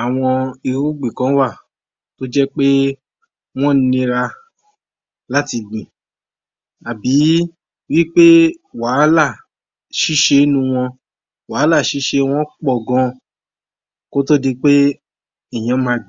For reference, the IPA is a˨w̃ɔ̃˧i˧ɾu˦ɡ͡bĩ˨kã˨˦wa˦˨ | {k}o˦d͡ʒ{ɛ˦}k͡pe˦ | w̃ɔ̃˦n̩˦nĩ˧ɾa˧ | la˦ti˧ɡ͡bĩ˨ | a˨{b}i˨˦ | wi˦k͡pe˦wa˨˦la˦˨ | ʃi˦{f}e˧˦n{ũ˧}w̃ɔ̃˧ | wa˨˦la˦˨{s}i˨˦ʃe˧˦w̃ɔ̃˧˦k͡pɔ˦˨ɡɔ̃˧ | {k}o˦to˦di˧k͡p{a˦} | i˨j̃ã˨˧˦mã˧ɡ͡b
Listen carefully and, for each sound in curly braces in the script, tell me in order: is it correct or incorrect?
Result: incorrect: t, correct, correct, incorrect: ʃ, correct, incorrect: ʃ, correct, incorrect: e˦

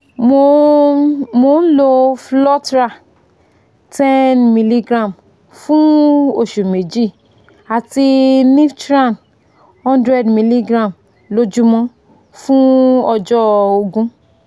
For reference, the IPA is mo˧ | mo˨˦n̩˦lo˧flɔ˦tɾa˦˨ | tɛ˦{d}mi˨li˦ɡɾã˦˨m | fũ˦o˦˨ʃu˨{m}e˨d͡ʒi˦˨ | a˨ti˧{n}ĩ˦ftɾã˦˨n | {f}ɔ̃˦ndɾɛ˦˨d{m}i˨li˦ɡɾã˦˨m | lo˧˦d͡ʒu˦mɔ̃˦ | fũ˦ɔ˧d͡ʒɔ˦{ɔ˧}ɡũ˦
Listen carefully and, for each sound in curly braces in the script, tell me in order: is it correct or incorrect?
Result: incorrect: n, correct, correct, incorrect: h, correct, incorrect: o˧

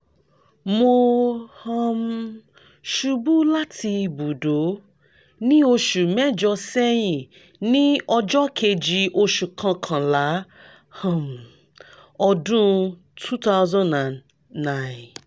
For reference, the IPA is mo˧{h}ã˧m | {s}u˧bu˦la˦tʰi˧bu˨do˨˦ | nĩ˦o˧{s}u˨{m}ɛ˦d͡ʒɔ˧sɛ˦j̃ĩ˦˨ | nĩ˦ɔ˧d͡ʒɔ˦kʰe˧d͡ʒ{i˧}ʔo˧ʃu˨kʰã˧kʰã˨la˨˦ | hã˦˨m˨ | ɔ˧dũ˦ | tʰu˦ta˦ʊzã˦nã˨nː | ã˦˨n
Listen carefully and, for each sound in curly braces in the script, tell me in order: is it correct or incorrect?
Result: correct, incorrect: ʃ, incorrect: ʃ, correct, correct

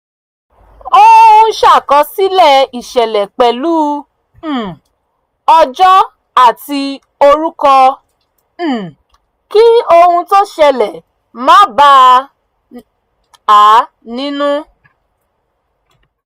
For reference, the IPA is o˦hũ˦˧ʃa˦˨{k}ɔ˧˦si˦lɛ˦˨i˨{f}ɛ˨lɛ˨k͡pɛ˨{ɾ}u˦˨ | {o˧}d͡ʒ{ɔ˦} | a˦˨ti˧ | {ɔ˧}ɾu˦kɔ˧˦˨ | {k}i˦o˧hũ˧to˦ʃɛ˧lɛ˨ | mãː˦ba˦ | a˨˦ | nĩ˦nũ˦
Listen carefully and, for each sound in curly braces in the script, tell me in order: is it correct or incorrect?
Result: correct, incorrect: ʃ, incorrect: l, incorrect: ɔ˧, correct, incorrect: o˧, correct

